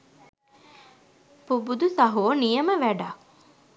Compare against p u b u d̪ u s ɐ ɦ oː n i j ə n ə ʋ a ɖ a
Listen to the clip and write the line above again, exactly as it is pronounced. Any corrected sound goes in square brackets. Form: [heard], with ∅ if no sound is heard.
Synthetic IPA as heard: p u b u d̪ u s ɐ ɦ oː n i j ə [m] ə ʋ [æ] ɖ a